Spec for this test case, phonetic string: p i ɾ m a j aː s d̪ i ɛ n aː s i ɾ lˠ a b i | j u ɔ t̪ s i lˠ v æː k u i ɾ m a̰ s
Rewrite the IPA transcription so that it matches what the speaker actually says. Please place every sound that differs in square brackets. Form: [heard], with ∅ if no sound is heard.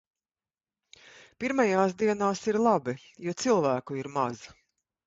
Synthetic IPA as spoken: p i ɾ m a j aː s d̪ i ɛ n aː s i ɾ lˠ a b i | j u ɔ t̪ s i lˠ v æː k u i ɾ m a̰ [z]